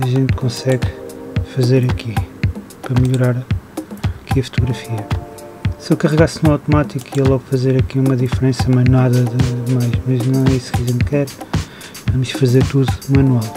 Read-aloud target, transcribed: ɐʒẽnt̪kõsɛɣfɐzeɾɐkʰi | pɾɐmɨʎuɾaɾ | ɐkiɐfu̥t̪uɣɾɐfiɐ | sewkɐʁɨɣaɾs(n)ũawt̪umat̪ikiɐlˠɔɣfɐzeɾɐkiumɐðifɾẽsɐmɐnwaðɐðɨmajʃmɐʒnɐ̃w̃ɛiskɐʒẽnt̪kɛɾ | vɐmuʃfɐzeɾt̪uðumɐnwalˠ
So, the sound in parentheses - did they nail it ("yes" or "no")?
yes